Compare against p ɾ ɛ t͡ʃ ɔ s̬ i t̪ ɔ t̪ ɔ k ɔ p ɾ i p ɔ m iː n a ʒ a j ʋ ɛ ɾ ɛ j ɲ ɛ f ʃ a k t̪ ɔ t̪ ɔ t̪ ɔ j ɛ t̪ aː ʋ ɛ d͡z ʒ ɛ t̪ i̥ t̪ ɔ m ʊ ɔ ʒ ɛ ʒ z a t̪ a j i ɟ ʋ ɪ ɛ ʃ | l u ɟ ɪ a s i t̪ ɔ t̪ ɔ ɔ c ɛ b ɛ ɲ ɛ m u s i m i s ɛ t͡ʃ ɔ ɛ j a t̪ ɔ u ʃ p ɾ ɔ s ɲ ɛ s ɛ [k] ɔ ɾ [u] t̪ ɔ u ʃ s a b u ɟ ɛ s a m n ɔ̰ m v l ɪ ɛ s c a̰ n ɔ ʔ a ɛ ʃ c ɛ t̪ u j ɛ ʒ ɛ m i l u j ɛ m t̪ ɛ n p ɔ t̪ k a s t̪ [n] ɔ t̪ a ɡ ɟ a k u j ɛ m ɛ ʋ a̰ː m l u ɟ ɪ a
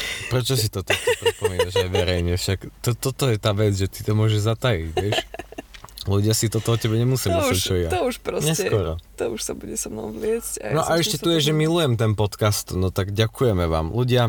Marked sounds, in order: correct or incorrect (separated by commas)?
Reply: correct, incorrect, correct